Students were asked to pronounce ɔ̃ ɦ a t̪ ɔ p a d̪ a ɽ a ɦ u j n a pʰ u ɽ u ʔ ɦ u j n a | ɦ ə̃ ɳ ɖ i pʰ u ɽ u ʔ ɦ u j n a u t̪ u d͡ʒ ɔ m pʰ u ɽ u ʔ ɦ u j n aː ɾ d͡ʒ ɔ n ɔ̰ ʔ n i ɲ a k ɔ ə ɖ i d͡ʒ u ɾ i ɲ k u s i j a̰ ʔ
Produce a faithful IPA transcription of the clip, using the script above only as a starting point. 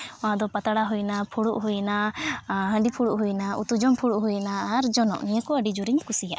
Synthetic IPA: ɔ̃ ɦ a d̪ ɔ p a t̪ a ɽ a ɦ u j n a pʰ u ɽ u ʔ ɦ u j n a | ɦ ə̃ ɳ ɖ i pʰ u ɽ u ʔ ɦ u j n a u t̪ u d͡ʒ ɔ m pʰ u ɽ u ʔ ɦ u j n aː ɾ d͡ʒ ɔ n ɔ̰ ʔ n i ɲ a k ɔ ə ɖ i d͡ʒ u ɾ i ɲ k u s i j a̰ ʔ